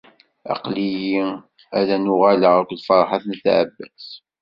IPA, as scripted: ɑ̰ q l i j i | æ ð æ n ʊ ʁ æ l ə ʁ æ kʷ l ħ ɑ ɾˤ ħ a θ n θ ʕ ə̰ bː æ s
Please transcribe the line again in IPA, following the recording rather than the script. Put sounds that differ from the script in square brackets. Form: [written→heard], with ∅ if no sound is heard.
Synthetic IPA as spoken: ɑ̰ q l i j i | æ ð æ n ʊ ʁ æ l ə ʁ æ kʷ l [ħ→f] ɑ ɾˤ ħ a θ n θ ʕ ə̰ bː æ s